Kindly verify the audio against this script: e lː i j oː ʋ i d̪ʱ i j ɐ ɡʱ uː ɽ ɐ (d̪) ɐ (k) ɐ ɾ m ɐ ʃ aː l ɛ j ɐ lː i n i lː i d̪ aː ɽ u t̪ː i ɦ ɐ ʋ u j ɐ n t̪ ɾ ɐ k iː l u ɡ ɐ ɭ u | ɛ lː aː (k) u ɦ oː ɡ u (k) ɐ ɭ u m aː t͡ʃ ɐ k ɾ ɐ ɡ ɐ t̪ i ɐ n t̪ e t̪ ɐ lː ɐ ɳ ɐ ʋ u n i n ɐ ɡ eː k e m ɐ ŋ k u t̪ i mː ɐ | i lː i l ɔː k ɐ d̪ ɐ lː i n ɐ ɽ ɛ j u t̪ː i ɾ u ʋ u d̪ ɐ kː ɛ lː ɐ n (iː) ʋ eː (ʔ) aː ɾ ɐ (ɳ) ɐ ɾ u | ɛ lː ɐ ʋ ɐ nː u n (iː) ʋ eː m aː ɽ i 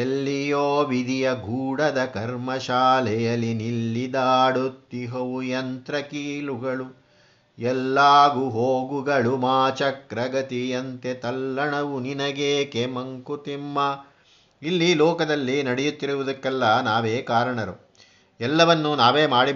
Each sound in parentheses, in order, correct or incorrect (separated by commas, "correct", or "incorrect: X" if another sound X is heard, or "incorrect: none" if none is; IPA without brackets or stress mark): correct, correct, incorrect: ɡ, incorrect: ɡ, incorrect: aː, incorrect: k, correct, incorrect: aː